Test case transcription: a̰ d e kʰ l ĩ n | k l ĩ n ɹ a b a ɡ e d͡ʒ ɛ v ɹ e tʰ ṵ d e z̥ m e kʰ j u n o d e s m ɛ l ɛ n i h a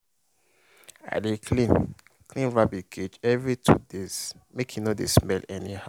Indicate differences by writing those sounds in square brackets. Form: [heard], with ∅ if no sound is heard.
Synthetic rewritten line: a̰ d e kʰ l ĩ n | k l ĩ n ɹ a b [i] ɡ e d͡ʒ ɛ v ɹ [i] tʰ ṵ d e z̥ m e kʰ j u n o d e s m ɛ l ɛ n i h a